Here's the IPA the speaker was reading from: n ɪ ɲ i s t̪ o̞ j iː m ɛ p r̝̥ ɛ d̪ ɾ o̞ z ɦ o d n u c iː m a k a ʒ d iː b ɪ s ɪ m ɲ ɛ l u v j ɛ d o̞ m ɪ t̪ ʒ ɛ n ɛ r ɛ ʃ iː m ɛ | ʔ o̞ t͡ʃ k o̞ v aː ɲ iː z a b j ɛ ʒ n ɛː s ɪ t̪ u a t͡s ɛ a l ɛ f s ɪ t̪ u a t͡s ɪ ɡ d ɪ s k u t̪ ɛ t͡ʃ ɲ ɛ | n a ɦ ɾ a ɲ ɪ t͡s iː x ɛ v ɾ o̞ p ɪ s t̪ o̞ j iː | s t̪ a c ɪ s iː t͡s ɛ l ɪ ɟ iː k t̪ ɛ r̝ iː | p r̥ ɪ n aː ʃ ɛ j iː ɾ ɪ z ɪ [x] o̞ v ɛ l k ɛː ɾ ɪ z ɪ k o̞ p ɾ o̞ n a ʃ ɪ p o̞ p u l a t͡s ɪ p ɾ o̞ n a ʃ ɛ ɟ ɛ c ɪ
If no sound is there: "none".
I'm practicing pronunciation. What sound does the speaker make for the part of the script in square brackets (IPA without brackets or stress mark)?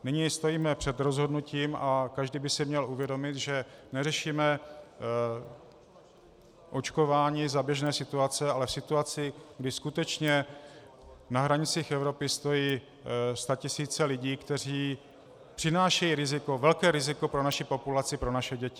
k